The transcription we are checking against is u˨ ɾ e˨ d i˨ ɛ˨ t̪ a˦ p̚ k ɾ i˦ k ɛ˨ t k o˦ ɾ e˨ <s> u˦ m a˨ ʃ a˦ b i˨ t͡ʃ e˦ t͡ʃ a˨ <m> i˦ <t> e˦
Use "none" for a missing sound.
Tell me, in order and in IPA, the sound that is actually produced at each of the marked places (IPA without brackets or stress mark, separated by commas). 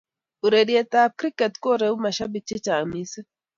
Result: none, m, s